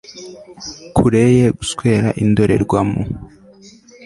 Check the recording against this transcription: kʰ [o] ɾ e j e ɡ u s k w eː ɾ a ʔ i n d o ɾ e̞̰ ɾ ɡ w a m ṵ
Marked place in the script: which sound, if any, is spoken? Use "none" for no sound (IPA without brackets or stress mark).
u